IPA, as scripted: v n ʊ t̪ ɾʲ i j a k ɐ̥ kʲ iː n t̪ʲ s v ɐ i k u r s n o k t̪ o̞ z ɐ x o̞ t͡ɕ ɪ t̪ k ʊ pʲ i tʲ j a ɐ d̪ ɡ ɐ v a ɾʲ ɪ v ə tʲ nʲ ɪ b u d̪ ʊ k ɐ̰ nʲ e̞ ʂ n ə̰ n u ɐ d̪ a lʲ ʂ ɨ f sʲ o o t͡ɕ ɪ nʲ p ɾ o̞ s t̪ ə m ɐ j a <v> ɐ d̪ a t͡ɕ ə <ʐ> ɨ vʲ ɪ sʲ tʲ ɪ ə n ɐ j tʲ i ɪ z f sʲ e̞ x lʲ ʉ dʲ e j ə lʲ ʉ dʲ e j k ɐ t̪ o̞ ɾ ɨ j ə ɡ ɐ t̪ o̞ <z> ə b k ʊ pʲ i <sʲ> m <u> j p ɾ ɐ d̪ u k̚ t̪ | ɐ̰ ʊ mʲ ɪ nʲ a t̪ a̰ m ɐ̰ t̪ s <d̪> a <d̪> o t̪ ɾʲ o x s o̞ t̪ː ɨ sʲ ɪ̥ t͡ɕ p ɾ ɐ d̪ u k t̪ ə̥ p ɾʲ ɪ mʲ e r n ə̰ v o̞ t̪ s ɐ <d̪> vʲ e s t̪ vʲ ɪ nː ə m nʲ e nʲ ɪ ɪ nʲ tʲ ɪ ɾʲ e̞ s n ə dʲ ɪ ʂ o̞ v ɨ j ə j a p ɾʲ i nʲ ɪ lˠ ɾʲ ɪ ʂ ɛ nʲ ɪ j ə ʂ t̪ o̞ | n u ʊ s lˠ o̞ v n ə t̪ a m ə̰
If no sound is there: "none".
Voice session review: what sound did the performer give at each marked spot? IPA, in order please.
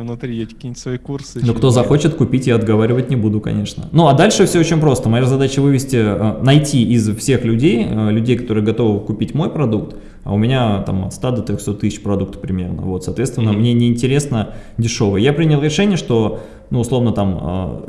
z, v, v, tʲ, o, t̪, d̪, t̪

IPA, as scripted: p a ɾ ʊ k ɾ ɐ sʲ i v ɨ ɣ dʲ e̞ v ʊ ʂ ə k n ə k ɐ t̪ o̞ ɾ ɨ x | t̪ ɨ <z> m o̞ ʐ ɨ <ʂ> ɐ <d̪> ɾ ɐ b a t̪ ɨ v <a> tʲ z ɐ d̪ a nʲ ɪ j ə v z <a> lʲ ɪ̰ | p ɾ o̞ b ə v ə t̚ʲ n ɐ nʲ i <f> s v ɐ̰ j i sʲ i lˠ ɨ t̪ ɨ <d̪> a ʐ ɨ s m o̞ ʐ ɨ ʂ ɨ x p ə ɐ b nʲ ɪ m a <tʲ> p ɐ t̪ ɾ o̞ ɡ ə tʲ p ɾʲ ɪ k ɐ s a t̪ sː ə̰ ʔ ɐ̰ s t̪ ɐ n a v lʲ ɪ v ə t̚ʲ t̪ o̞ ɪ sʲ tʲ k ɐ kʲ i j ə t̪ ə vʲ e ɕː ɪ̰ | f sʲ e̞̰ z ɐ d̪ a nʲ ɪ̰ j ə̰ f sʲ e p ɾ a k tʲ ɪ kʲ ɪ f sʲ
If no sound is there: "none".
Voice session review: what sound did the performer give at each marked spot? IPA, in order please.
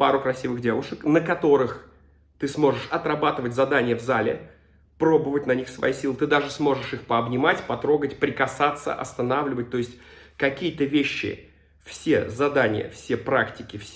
s, ʂ, t̪, ə, a, x, d̪, tʲ

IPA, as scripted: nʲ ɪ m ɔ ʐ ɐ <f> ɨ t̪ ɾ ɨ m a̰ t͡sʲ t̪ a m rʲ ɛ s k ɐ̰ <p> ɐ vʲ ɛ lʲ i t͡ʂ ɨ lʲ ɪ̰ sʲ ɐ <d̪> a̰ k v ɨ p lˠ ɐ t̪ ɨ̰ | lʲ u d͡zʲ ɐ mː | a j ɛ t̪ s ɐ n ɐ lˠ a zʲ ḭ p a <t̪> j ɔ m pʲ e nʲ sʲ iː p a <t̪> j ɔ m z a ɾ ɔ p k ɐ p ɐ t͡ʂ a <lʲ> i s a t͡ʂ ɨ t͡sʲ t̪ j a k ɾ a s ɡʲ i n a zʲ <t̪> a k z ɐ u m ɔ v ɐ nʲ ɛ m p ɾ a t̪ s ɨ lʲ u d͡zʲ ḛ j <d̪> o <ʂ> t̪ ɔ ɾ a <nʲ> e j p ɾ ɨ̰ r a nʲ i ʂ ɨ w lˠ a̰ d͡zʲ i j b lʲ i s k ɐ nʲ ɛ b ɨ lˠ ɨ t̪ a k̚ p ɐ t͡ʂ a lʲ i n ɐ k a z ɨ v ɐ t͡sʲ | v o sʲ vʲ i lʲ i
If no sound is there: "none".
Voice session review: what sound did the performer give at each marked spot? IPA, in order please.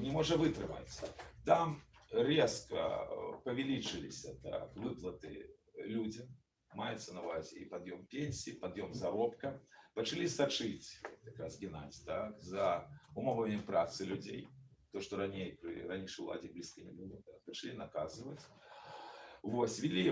v, p, t̪, d̪, d̪, lʲ, t̪, t̪, ʂ, nʲ

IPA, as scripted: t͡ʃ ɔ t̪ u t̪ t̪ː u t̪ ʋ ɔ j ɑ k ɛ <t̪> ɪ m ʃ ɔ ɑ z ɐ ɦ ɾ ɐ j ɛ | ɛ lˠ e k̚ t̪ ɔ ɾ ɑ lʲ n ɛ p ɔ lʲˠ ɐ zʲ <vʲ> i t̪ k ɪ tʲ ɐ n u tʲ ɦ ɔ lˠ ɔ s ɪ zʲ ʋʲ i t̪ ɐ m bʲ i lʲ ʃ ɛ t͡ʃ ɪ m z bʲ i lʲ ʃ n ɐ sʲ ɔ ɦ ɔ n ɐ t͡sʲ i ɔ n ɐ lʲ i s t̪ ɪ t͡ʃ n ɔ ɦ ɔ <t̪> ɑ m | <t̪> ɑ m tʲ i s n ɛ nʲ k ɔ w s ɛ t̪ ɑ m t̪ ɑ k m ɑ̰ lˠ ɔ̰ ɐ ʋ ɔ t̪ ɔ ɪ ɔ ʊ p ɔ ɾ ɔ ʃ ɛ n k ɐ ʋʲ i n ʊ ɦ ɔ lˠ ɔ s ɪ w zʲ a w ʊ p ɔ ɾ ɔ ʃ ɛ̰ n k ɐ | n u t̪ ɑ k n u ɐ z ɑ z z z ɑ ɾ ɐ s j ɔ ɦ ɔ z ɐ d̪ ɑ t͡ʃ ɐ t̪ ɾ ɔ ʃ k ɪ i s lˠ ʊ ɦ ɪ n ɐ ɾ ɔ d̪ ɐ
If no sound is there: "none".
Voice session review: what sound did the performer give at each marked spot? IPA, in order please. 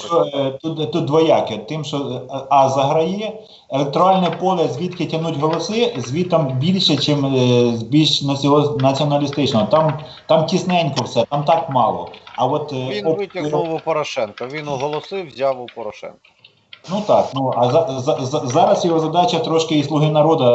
t̪, ʋʲ, t̪, t̪

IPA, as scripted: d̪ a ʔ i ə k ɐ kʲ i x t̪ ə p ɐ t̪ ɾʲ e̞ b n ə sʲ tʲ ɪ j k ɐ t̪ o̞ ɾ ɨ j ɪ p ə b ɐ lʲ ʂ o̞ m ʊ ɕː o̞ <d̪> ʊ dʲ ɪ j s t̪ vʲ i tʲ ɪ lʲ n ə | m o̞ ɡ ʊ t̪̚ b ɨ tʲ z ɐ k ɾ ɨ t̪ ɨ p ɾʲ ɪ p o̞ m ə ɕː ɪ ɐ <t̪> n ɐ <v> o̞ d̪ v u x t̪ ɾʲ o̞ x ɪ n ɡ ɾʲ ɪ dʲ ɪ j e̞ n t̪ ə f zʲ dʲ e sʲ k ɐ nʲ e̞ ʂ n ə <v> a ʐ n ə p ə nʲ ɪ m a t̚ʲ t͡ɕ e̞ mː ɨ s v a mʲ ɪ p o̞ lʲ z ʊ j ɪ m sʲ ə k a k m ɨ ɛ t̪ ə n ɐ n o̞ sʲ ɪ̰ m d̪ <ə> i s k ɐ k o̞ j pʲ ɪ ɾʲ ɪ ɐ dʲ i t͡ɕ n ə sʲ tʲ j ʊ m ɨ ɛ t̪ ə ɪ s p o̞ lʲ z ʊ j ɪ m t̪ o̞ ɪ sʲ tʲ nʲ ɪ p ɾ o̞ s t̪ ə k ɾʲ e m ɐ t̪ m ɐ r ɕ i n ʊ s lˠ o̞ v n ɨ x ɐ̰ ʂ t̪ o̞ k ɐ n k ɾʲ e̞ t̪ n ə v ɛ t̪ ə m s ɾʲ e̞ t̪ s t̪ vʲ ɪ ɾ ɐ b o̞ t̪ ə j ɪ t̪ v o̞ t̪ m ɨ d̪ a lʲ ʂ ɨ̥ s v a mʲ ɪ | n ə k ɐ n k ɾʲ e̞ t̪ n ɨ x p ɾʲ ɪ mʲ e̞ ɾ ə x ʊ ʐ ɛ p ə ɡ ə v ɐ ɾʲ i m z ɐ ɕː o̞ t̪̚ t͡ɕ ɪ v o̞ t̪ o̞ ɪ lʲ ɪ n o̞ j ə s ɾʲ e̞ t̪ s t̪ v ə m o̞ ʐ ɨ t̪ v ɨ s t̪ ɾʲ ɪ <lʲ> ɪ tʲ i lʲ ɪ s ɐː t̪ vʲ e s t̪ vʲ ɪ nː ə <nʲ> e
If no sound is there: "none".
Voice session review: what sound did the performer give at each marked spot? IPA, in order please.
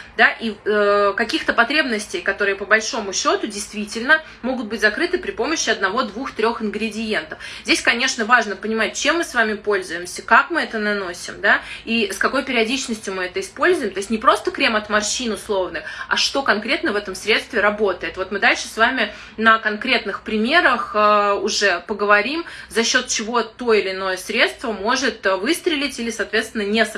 t̪, d̪, v, v, a, lʲ, nʲ

